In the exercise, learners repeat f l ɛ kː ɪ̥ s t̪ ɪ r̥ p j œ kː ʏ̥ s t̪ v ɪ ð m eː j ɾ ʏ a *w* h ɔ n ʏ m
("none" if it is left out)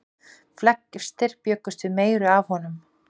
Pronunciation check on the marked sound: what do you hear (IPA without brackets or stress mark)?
v